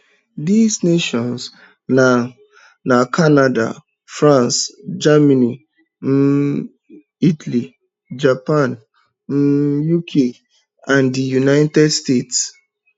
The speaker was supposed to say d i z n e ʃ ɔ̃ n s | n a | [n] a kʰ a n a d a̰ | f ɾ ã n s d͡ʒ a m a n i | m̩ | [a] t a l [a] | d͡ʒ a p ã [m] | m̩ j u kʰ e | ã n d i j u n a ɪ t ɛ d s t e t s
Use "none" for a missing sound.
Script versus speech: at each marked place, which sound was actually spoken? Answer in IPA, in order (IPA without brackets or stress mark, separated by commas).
n, i, i, n